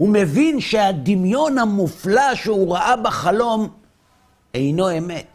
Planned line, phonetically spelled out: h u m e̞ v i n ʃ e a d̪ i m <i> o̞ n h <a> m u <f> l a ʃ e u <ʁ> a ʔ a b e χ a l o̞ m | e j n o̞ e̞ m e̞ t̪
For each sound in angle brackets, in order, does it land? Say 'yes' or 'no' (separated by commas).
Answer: no, yes, yes, yes